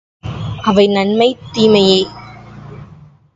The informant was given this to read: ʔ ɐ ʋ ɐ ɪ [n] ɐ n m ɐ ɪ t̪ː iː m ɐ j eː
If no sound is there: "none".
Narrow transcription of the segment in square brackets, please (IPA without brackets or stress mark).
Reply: n